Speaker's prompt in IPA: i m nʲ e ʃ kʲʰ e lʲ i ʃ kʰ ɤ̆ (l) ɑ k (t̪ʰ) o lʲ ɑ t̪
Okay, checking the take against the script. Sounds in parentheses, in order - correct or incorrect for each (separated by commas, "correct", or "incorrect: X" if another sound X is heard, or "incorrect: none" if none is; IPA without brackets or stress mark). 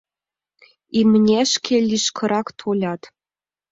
incorrect: ɾ, correct